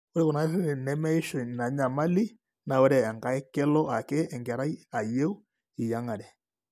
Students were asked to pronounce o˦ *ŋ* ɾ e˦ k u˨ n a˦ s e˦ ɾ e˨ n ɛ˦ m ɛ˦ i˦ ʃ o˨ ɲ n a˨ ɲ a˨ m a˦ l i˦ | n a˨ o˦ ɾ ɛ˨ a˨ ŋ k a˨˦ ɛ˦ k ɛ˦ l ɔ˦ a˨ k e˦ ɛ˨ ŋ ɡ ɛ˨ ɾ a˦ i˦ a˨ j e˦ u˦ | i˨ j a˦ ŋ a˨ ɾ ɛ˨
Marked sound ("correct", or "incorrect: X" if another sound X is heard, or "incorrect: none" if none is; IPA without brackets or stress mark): incorrect: none